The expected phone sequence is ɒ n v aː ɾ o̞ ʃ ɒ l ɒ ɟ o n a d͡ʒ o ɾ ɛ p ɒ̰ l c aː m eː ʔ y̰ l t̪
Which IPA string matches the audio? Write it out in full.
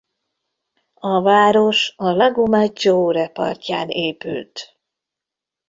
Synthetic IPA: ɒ v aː ɾ o̞ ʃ ɒ l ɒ ɡ o m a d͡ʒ o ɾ ɛ p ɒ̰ r c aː n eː p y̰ l t̪